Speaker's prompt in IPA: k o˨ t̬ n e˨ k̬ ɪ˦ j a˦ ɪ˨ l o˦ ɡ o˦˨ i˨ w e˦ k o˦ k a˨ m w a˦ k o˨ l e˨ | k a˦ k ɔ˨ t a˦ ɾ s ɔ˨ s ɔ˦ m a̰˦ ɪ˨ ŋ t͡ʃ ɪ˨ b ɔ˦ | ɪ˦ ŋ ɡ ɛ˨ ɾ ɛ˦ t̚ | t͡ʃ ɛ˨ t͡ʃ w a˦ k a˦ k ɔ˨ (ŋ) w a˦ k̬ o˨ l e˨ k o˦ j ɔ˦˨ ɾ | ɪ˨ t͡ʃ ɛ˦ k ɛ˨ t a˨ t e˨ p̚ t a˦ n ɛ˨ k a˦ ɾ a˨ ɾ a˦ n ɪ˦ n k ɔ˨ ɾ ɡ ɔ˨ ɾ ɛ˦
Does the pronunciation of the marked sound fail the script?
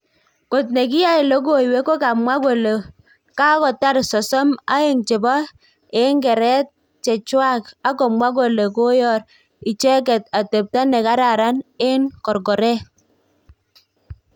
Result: yes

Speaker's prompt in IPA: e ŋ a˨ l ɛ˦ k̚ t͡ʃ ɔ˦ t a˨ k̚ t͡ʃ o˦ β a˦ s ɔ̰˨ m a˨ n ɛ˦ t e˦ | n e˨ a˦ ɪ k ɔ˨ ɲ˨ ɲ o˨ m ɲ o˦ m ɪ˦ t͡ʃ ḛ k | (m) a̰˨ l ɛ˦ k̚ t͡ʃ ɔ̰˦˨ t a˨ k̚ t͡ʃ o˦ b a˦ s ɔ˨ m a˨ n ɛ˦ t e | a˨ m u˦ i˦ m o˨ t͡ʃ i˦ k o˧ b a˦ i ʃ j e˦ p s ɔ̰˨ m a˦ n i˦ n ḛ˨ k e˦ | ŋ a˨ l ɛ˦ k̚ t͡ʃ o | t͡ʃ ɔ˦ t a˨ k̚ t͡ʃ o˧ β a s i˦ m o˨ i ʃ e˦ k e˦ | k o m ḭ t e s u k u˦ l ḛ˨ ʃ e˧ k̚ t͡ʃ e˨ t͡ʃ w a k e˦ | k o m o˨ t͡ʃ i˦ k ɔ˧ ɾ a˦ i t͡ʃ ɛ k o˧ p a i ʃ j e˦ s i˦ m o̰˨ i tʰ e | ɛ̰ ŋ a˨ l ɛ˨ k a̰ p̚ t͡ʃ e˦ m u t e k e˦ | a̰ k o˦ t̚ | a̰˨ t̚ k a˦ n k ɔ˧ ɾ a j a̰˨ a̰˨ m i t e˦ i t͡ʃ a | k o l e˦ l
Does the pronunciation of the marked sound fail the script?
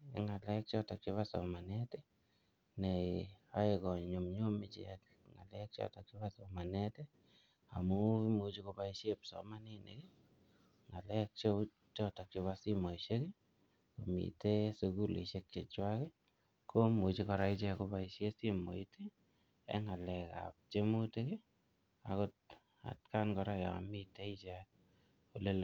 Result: yes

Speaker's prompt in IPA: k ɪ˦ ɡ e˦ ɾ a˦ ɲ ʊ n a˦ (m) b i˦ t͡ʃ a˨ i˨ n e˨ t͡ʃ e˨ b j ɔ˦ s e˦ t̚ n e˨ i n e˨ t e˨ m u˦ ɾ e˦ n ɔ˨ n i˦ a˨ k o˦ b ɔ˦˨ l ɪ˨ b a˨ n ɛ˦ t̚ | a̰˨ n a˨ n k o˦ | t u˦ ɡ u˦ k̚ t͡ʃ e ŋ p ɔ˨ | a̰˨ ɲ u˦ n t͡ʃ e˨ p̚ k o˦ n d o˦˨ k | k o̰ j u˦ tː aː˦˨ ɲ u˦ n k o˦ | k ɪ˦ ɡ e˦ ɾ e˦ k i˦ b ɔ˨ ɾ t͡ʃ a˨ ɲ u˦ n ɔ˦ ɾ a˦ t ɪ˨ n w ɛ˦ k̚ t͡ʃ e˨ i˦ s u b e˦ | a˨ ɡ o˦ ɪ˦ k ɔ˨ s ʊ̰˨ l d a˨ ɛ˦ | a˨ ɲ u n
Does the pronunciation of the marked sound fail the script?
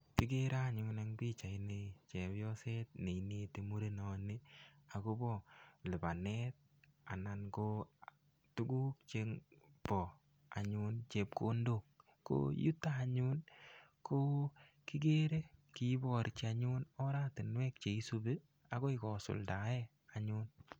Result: yes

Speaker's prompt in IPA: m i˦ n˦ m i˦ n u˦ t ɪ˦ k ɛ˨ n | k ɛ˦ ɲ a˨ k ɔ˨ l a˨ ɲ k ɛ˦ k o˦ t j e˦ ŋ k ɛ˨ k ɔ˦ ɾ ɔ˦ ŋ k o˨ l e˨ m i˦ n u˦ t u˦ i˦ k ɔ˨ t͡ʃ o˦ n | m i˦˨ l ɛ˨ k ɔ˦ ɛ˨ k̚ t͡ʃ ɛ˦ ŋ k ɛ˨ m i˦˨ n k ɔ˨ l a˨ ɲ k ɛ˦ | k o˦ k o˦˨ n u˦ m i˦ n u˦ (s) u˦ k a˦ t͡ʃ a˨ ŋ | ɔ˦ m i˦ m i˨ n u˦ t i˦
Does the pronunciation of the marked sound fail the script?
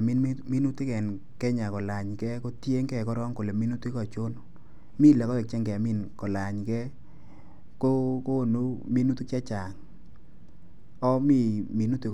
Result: yes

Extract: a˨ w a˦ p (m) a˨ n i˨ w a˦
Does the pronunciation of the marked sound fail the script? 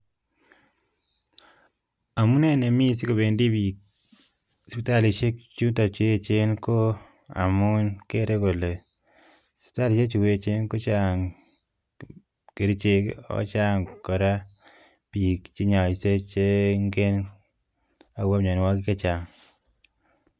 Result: yes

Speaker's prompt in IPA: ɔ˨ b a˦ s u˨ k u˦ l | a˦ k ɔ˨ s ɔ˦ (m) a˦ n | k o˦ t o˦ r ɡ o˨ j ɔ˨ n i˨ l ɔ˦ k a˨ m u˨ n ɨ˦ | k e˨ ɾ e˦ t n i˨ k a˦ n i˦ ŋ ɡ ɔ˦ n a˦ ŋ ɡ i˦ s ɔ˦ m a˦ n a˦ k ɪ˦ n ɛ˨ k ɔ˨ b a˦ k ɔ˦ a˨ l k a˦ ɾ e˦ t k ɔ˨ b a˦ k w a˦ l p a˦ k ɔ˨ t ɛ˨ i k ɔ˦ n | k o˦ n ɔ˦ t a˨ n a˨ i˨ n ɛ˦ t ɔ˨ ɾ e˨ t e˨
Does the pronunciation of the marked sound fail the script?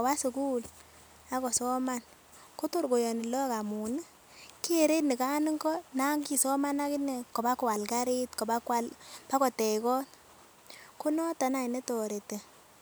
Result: no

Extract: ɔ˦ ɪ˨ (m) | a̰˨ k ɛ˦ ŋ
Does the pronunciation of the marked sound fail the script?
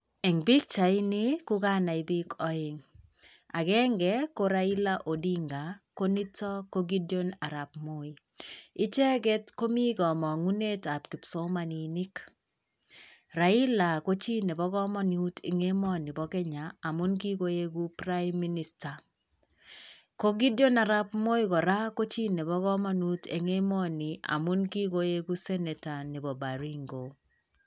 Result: yes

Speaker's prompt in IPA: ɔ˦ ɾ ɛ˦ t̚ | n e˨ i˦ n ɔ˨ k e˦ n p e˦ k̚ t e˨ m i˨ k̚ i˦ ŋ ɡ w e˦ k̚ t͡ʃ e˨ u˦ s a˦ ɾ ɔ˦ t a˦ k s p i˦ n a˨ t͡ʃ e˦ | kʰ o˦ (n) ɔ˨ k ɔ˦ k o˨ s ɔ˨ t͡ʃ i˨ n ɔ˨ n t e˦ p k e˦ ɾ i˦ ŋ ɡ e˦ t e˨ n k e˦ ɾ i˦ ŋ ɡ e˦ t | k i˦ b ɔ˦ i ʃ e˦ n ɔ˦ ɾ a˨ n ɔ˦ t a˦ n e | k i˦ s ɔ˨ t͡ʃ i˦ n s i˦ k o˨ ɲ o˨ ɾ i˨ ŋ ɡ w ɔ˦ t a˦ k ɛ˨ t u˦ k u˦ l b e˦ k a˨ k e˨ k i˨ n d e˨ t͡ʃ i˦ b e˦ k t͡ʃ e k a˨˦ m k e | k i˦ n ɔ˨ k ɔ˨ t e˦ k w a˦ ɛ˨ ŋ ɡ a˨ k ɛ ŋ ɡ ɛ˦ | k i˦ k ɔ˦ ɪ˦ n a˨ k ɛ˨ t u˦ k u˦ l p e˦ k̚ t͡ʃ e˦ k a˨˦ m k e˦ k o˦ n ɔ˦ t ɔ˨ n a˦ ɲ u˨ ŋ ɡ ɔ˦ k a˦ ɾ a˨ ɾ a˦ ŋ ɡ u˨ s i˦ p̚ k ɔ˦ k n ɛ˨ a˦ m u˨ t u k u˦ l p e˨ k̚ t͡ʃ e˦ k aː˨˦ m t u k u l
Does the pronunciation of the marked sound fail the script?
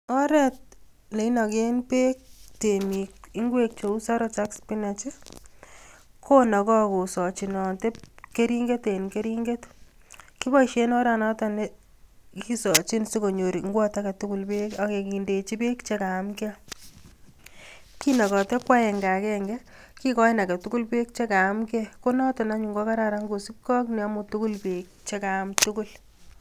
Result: no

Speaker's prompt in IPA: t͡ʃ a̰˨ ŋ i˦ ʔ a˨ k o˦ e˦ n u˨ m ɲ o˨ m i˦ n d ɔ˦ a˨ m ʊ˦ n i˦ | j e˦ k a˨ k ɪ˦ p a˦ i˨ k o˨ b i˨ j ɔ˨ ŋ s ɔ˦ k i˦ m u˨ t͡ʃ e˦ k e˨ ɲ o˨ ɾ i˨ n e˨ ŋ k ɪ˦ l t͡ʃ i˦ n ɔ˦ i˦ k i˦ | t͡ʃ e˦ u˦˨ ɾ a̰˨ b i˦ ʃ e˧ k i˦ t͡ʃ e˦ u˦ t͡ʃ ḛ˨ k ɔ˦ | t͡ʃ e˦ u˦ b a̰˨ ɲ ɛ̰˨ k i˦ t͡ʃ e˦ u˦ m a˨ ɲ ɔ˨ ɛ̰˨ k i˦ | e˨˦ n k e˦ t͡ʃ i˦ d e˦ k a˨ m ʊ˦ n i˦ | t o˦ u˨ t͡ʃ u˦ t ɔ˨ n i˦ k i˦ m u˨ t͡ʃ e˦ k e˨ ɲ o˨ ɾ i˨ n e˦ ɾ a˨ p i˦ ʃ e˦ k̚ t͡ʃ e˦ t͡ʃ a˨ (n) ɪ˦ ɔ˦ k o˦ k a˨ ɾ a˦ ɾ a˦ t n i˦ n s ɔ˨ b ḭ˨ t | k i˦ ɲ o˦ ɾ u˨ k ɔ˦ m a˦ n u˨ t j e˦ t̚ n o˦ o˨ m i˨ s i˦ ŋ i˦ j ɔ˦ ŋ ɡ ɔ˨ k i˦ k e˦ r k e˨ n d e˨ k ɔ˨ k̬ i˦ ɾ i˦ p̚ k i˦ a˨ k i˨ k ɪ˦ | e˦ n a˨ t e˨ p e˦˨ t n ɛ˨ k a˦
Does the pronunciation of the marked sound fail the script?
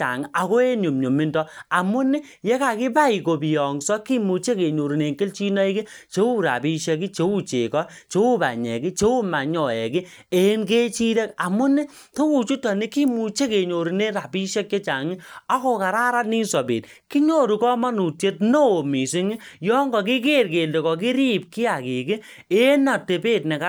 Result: yes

